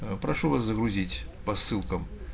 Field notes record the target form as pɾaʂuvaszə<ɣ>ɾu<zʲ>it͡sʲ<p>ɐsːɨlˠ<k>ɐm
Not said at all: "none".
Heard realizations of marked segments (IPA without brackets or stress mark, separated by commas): ɣ, zʲ, p, k